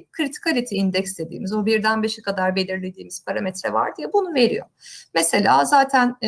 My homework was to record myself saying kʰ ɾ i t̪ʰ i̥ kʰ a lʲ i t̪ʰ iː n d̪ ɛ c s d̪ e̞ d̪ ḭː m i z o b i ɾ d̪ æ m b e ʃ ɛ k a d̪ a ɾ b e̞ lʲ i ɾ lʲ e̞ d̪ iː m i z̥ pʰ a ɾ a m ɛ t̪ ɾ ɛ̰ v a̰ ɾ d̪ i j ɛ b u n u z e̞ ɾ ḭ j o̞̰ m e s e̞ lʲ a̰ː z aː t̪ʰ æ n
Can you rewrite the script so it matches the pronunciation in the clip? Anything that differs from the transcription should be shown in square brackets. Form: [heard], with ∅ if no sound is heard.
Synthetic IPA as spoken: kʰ ɾ i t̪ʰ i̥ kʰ a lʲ i t̪ʰ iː n d̪ ɛ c s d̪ e̞ d̪ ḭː m i z o b i ɾ d̪ æ [n] b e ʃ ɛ k a d̪ a ɾ b e̞ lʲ i ɾ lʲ e̞ d̪ iː m i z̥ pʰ a ɾ a m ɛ t̪ ɾ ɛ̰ v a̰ ɾ d̪ i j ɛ b u n u [v] e̞ ɾ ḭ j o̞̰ m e s e̞ lʲ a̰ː z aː t̪ʰ æ n